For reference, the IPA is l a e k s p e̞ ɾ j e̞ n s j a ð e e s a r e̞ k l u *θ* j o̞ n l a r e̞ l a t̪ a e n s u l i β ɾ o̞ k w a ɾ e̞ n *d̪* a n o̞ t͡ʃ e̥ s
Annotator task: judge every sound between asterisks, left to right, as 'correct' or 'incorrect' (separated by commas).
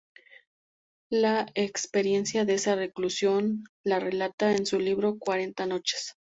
incorrect, incorrect